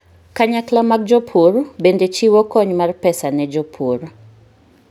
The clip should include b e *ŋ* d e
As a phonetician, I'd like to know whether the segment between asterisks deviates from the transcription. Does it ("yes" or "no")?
yes